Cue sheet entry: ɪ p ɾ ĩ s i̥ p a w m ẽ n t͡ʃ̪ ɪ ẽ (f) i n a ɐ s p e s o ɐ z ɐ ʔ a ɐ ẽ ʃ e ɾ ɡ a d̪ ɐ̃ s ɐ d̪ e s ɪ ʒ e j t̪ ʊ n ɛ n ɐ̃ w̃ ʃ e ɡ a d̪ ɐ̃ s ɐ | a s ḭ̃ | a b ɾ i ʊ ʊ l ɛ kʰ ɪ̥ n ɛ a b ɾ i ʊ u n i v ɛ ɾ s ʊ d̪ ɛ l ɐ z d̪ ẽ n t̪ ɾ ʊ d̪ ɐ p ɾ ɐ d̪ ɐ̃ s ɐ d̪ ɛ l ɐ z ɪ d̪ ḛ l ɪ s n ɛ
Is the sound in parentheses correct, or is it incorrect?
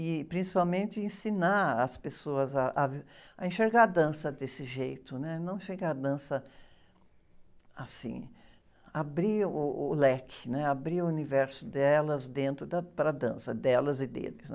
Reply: incorrect: s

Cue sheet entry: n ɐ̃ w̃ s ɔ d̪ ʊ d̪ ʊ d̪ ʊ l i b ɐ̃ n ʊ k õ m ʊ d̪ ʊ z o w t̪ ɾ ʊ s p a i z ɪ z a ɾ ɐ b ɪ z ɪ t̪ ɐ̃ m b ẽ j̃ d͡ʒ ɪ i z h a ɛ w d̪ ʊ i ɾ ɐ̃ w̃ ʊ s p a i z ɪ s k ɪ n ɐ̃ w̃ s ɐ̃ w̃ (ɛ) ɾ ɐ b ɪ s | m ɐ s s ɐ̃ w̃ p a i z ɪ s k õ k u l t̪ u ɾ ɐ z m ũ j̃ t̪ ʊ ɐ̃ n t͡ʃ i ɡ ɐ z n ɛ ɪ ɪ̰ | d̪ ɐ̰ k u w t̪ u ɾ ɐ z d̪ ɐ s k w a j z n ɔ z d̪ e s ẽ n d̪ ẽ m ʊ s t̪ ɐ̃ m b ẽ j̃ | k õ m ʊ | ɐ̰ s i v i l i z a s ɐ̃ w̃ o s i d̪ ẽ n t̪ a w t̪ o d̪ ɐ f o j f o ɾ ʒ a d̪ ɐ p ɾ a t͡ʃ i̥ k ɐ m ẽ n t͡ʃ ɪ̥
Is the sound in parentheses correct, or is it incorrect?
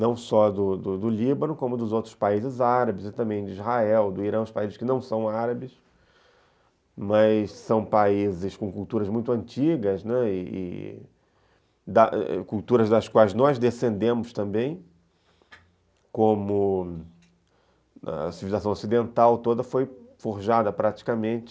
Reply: incorrect: a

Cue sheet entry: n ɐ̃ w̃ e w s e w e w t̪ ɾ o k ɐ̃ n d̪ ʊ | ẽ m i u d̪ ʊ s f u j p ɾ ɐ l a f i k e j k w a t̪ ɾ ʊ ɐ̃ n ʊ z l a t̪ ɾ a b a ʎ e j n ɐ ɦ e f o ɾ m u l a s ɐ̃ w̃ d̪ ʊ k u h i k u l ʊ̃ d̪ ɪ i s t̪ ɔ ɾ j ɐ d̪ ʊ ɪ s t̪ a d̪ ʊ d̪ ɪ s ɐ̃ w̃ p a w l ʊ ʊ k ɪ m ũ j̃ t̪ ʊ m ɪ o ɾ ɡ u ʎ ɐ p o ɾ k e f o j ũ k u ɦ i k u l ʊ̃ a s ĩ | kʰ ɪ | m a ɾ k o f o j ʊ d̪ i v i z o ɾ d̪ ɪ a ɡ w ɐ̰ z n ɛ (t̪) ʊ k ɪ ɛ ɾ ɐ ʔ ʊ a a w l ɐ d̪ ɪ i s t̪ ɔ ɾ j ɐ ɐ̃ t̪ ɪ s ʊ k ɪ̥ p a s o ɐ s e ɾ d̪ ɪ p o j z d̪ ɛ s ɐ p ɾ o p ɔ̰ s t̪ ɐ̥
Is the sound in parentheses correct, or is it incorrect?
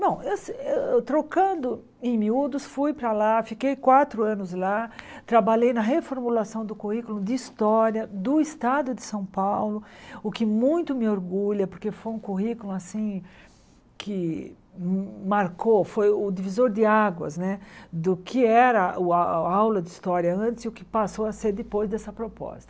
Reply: incorrect: d̪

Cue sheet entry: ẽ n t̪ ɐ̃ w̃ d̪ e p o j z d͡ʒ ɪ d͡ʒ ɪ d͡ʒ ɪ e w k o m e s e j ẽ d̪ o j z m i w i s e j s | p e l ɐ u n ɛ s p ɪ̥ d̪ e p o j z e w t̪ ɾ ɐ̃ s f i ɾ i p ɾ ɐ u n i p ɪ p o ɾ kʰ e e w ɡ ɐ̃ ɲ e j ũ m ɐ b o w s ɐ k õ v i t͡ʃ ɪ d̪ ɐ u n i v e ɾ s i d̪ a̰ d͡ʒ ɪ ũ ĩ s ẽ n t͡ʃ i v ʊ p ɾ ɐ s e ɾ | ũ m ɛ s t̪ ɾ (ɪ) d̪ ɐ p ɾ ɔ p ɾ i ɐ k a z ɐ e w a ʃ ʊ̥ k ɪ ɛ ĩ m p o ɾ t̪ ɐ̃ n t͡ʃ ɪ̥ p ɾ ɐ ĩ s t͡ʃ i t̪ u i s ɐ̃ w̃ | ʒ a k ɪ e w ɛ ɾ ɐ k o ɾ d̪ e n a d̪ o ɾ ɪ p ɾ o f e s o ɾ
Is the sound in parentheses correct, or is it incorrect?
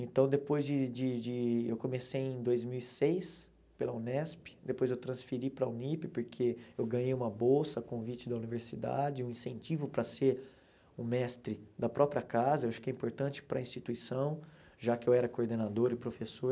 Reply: correct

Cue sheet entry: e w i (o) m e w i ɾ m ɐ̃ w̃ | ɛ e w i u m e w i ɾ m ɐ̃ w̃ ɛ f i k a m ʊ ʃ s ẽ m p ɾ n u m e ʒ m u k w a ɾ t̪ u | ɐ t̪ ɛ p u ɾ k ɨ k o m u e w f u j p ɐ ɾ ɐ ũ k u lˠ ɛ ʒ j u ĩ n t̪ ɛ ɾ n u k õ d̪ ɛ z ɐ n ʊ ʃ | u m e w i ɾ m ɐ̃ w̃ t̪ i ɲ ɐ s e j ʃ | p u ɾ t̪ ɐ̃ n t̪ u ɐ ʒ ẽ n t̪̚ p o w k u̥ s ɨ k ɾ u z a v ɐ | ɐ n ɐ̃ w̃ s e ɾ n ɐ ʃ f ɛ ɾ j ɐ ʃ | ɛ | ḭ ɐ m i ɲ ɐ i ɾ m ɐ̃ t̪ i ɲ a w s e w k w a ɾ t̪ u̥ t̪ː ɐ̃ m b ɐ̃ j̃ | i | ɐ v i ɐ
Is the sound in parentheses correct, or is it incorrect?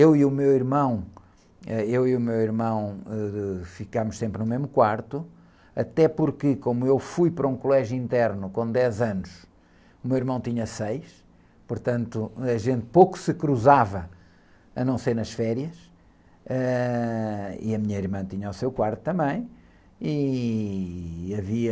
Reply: incorrect: u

